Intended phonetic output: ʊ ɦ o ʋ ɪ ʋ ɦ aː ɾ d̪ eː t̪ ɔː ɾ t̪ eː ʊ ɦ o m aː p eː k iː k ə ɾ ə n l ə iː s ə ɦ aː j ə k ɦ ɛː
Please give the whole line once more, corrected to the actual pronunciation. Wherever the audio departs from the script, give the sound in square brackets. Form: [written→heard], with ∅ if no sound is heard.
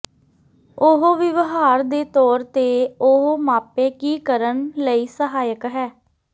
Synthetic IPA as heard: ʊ ɦ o ʋ ɪ ʋ ɦ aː ɾ d̪ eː t̪ ɔː ɾ t̪ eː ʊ ɦ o m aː p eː k iː k ə ɾ ə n l ə iː s ə ɦ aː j ə k ɦ ɛː